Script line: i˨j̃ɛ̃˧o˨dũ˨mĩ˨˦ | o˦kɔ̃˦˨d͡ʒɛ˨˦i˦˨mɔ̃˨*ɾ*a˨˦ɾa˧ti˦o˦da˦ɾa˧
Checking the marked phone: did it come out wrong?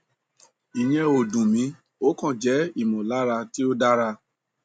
yes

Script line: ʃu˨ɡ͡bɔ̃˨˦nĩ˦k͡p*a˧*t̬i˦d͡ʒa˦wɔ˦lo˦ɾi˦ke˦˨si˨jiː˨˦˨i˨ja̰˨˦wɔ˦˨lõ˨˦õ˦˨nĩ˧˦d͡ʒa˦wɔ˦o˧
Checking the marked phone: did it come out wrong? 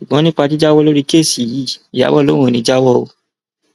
no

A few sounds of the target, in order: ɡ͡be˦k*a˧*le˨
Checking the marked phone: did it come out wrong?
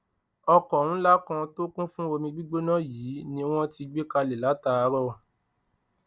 no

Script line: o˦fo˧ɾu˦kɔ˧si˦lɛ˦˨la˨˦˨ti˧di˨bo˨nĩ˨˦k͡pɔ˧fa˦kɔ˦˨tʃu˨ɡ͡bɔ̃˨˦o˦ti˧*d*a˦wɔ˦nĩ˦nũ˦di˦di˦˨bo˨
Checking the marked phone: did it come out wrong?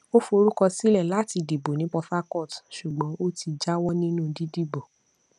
yes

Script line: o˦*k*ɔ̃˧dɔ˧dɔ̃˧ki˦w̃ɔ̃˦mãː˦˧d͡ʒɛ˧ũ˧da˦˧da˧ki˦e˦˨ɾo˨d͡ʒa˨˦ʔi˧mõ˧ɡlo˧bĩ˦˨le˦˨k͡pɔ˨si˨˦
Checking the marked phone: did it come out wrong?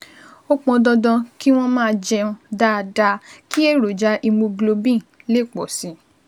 yes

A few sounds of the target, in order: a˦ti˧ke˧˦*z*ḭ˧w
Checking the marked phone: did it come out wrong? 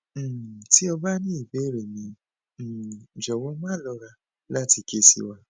yes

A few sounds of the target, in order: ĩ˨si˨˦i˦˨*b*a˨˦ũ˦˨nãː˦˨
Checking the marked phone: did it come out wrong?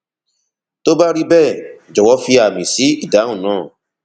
yes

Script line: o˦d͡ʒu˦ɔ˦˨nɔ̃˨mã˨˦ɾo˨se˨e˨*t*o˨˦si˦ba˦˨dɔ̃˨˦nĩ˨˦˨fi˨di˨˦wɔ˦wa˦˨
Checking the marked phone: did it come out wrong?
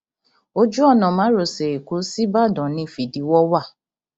yes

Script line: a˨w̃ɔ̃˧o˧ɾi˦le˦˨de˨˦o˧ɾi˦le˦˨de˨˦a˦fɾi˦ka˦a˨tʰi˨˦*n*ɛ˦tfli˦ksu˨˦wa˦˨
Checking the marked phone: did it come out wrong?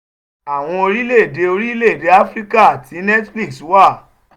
no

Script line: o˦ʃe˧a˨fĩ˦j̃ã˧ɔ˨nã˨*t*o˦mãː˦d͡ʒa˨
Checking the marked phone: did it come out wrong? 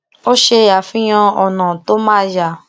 no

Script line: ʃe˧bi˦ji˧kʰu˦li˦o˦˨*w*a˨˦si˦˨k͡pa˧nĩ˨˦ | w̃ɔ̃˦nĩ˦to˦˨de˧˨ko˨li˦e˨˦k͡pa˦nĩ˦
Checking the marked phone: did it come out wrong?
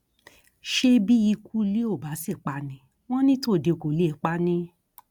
yes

